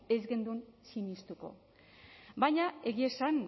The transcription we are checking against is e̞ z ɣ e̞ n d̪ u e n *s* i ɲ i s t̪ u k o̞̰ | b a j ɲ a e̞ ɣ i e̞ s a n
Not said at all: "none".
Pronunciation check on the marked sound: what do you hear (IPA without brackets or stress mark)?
s